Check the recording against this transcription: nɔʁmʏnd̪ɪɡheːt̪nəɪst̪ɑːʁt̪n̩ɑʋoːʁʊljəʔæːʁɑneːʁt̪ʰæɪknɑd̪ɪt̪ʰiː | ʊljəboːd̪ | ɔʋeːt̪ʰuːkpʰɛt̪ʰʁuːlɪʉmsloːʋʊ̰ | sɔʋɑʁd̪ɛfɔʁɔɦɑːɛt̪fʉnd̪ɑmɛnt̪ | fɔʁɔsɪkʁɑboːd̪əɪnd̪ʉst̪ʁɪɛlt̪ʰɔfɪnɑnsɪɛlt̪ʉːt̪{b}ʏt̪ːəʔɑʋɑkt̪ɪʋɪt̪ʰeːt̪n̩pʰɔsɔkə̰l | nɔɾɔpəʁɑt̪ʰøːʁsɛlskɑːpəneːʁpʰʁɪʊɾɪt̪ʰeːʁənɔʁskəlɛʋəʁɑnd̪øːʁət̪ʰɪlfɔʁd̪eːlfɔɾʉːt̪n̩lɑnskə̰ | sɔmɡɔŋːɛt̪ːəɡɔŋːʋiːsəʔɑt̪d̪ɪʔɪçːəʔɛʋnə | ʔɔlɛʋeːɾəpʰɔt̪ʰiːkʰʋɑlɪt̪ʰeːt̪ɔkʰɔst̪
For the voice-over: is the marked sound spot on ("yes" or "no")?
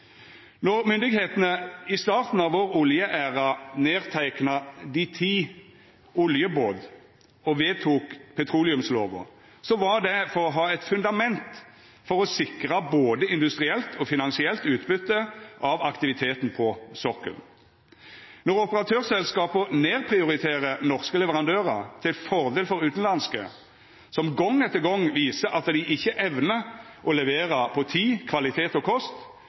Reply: yes